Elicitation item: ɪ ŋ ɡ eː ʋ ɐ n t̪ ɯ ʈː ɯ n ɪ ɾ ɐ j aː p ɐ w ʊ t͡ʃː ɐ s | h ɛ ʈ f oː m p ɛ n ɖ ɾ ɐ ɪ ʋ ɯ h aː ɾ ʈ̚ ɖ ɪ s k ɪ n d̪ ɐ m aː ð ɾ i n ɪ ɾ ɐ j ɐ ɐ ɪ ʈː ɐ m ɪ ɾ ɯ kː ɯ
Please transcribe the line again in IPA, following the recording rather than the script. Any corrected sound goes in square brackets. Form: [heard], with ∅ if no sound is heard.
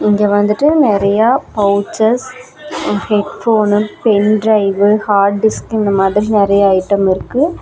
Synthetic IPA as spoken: ɪ ŋ ɡ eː ʋ ɐ n [d̪] ɯ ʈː ɯ n ɪ ɾ ɐ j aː p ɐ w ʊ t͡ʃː ɐ s | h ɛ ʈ f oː [n] p ɛ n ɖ ɾ ɐ ɪ ʋ ɯ h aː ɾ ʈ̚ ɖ ɪ s k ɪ n d̪ ɐ m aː ð ɾ i n ɪ ɾ ɐ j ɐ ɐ ɪ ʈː ɐ m ɪ ɾ ɯ kː ɯ